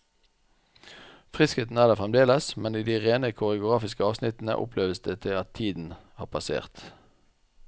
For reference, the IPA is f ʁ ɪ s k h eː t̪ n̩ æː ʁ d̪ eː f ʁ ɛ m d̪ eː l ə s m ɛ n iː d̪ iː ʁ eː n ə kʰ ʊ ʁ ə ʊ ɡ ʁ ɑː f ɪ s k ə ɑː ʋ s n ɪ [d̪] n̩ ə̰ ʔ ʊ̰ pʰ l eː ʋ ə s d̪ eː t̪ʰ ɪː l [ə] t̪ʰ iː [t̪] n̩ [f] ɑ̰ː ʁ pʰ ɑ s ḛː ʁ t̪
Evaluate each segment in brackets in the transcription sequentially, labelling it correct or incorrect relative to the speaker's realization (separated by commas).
incorrect, incorrect, incorrect, incorrect